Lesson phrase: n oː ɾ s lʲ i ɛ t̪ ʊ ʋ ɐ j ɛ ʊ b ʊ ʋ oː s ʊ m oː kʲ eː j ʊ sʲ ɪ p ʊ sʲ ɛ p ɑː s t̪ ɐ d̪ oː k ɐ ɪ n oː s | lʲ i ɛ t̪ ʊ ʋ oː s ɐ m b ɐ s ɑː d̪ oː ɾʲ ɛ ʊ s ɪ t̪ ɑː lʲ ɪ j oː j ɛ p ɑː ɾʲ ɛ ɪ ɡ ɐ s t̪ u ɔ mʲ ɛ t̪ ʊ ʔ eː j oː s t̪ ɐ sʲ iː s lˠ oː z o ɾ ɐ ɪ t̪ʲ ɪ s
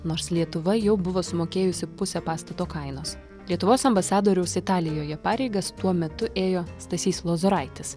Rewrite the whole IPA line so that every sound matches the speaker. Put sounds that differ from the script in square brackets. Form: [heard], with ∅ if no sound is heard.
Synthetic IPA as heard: n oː ɾ s lʲ i ɛ t̪ ʊ ʋ ɐ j ɛ ʊ b ʊ ʋ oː s ʊ m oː kʲ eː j ʊ sʲ ɪ p ʊ sʲ ɛ p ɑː s t̪ ɐ [t̪] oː k ɐ ɪ n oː s | lʲ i ɛ t̪ ʊ ʋ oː s ɐ m b ɐ s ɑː d̪ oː ɾʲ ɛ ʊ s ɪ t̪ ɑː lʲ ɪ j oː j ɛ p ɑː ɾʲ ɛ ɪ ɡ ɐ s t̪ u ɔ mʲ ɛ t̪ ʊ ʔ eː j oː s t̪ ɐ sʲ iː s lˠ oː z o ɾ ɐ ɪ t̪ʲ ɪ s